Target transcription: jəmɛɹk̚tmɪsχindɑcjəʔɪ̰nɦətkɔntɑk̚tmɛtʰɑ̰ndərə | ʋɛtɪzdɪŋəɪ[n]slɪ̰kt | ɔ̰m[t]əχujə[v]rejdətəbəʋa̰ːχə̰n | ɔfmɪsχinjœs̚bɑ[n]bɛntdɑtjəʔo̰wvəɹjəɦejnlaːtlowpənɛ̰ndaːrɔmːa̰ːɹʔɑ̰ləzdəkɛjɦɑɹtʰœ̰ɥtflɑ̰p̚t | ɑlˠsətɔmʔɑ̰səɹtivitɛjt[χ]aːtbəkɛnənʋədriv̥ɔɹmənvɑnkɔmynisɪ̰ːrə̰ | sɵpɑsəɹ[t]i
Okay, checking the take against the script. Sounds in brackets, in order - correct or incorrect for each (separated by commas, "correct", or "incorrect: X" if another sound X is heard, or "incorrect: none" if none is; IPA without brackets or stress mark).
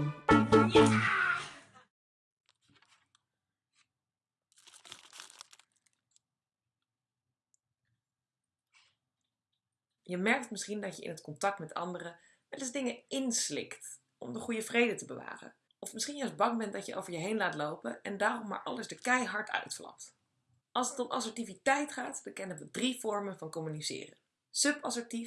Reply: correct, incorrect: d, correct, incorrect: ŋ, correct, correct